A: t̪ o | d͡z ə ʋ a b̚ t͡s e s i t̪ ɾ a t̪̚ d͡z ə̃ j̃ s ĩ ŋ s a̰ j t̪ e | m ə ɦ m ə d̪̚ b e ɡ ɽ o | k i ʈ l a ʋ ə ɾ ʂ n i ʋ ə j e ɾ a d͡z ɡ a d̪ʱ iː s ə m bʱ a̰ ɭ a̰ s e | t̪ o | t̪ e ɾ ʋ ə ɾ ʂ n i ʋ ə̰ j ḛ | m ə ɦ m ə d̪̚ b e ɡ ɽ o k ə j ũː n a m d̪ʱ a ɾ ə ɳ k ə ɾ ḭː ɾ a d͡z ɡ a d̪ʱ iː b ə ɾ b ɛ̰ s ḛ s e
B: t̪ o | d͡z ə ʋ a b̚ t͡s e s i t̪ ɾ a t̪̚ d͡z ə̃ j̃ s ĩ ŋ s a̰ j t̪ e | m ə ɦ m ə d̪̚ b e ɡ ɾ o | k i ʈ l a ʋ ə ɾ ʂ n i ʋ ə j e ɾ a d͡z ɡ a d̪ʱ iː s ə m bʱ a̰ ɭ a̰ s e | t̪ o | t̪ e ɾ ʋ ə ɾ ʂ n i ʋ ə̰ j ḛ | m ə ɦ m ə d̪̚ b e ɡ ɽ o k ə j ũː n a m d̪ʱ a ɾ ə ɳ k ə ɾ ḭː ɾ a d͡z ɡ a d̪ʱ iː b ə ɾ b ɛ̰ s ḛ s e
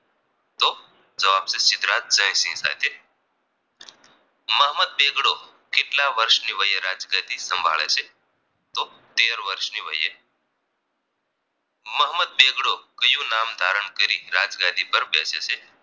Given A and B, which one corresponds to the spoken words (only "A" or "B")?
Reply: A